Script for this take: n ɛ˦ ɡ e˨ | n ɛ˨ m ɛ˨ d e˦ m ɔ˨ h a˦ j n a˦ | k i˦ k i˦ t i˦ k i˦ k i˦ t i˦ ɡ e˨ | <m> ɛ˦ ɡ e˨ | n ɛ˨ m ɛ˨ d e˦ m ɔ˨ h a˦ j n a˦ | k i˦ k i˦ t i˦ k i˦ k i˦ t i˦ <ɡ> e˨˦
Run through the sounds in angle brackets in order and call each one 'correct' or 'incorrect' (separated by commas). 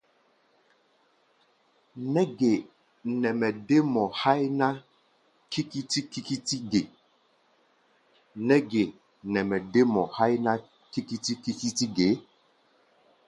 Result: incorrect, correct